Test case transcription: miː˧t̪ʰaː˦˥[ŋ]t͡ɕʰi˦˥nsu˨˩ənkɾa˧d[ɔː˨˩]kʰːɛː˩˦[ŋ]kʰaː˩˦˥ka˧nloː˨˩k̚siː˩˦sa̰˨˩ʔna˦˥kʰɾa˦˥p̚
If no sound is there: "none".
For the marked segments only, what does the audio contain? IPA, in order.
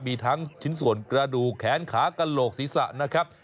ŋ, uː˨˩, n

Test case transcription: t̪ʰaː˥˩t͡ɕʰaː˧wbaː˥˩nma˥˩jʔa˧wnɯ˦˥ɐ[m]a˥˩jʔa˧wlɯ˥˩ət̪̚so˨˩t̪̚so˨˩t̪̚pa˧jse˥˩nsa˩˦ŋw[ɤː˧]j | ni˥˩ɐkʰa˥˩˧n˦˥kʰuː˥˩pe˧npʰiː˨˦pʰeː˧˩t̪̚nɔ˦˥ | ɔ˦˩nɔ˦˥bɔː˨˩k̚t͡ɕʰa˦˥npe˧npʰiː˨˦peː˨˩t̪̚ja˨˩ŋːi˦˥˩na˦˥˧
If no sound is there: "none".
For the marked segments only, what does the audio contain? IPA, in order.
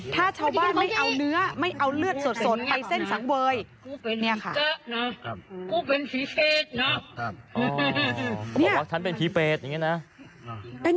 m, ɤː˧

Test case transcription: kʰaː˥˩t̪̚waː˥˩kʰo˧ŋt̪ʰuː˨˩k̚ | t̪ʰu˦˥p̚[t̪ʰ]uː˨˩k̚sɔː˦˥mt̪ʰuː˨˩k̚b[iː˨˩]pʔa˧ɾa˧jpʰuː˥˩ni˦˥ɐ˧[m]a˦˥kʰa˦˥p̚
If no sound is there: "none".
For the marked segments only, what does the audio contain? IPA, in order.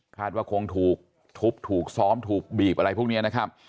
t̪ʰ, iː˨˩, n

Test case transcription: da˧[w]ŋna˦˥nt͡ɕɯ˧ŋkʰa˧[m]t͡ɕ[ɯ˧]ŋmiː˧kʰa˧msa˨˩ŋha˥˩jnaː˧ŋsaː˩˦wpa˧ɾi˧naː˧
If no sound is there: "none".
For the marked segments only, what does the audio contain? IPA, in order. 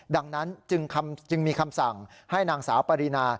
none, m, ɯ˧

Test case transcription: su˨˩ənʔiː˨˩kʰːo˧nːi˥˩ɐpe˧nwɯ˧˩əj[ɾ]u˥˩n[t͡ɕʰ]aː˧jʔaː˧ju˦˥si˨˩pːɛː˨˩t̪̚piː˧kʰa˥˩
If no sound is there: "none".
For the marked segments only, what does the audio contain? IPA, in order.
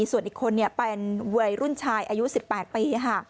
ɾ, t͡ɕʰ

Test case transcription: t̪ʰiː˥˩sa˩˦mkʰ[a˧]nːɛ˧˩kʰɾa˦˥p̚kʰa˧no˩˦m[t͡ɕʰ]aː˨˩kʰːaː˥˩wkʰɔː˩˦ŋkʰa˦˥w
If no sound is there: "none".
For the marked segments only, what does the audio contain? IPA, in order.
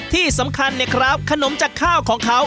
a˧, t͡ɕ

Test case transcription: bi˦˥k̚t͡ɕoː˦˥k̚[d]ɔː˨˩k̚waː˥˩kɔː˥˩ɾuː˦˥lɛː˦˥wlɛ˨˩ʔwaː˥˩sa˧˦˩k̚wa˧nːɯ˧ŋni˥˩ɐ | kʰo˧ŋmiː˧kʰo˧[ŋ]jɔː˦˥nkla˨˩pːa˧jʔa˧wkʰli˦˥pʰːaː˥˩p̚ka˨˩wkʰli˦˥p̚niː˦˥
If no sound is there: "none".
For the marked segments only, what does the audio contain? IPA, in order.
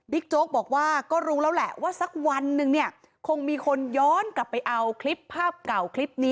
b, n

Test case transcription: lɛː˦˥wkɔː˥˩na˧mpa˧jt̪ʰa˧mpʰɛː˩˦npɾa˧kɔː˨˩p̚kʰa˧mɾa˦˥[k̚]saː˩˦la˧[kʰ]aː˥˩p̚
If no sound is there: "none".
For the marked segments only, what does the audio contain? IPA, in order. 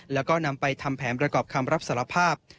p̚, pʰ

